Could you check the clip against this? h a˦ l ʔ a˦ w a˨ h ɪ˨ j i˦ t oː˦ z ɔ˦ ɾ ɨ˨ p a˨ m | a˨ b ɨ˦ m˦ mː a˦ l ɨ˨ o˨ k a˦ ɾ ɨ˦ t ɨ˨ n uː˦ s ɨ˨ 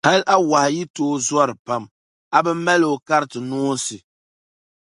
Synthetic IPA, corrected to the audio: h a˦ l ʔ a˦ w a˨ h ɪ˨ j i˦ t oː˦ z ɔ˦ ɾ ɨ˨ p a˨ m | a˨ b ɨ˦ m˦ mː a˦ l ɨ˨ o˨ k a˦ ɾ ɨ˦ t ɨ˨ n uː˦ s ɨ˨